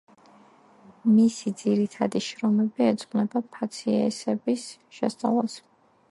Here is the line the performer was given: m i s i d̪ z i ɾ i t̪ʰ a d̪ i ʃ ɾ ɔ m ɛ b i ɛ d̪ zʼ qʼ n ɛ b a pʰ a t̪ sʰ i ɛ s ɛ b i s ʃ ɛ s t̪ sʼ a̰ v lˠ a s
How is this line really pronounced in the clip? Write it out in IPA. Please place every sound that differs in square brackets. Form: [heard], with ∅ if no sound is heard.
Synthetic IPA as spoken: m i s i d̪ z i ɾ i t̪ʰ a d̪ i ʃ ɾ ɔ m ɛ b i ɛ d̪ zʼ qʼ n ɛ b a pʰ a t̪ sʰ i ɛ s ɛ b i s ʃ ɛ s t̪ sʼ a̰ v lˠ a s